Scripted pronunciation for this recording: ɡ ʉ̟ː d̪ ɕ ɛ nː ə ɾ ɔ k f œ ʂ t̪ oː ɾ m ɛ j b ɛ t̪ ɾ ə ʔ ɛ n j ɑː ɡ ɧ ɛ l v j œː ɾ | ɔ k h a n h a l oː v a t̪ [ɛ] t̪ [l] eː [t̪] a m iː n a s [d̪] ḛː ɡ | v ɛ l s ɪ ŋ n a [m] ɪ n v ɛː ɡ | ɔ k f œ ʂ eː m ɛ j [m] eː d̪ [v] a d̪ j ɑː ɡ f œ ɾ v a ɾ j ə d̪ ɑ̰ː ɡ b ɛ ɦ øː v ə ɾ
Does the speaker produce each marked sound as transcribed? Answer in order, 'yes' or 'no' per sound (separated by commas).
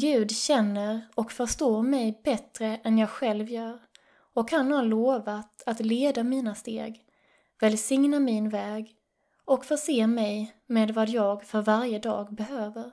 no, yes, no, no, yes, yes, yes